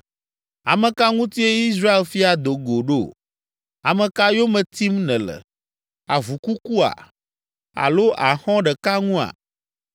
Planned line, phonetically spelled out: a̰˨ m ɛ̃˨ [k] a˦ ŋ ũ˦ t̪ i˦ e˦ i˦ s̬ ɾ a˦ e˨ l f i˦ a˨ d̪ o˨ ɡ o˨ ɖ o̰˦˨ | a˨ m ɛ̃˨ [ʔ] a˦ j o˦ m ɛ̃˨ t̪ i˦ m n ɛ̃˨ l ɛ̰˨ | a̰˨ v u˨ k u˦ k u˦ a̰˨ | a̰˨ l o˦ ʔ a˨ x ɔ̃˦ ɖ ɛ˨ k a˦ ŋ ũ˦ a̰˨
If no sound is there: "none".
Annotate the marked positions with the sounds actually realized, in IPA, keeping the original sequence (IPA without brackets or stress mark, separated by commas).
k, k